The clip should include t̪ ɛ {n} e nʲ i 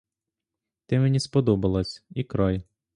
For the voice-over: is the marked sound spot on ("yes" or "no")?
no